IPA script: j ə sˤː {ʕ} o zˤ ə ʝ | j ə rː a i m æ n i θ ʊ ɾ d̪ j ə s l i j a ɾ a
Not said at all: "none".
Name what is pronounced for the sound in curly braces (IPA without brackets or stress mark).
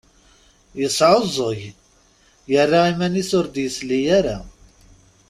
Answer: ʕ